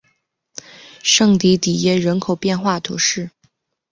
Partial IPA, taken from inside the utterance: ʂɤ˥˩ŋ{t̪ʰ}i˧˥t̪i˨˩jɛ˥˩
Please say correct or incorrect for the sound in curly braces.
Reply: incorrect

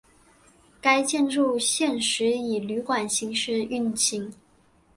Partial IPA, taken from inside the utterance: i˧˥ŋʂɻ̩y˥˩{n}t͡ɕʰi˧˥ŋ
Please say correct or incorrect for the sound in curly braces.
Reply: correct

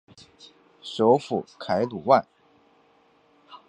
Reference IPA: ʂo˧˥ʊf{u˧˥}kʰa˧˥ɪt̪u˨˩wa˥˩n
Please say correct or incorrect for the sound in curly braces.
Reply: incorrect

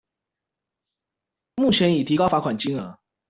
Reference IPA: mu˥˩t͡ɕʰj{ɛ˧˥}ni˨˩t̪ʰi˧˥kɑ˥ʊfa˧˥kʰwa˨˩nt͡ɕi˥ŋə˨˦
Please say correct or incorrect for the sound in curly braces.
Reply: correct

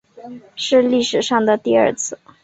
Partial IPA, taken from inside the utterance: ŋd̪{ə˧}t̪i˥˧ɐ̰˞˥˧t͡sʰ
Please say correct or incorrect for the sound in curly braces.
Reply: incorrect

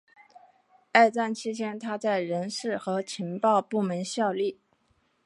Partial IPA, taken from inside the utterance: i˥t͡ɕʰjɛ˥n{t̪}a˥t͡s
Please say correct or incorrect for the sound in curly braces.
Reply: incorrect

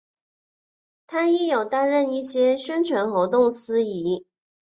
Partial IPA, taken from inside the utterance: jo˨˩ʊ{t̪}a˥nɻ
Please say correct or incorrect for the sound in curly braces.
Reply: correct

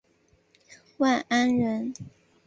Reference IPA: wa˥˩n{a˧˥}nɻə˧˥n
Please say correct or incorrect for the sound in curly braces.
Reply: incorrect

